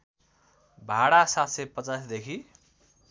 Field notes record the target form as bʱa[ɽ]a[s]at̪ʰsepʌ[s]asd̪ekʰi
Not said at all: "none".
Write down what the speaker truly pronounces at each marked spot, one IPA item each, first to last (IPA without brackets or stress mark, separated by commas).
ɽ, s, t͡s